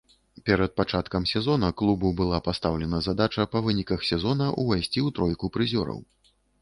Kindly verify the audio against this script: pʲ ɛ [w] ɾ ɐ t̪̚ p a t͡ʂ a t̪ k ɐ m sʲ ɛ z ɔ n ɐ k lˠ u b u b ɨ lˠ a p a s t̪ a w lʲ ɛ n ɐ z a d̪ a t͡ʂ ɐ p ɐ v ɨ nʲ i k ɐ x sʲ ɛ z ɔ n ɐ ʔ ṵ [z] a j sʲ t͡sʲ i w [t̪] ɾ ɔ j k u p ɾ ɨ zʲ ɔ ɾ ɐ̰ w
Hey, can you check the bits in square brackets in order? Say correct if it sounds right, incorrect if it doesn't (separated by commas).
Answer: incorrect, incorrect, correct